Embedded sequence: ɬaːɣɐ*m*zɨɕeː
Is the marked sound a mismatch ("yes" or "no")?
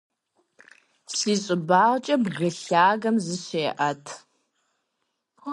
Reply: no